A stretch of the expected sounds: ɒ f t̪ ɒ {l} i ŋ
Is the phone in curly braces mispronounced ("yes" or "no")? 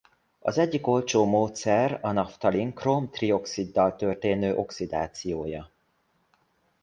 no